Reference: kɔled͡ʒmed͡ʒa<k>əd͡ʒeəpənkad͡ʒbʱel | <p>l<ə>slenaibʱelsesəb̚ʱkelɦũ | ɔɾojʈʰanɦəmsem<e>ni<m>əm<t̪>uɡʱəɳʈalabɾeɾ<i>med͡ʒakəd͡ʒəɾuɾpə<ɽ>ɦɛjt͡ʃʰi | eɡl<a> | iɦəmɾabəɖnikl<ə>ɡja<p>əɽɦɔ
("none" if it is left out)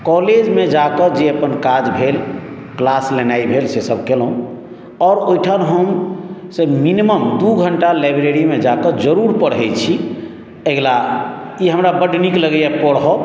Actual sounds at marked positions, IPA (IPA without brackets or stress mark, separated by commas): k, k, a, i, m, d̪, i, ɽ, a, ə, p